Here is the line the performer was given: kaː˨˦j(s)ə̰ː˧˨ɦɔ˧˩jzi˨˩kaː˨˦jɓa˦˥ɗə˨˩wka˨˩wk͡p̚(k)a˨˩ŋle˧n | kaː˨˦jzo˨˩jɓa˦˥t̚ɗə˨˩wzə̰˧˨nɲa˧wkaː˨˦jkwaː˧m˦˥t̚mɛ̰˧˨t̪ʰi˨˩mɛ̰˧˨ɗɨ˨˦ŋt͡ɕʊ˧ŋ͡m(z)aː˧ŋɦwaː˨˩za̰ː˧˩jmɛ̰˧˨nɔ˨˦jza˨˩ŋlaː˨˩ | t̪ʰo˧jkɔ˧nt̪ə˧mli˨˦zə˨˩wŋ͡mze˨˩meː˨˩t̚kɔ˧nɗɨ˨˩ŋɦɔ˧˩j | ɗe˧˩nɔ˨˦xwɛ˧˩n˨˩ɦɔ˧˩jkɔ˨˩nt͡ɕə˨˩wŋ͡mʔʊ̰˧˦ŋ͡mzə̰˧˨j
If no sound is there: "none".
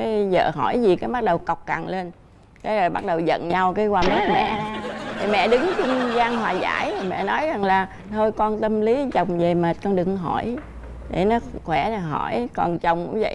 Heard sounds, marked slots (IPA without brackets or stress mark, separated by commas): z, k, z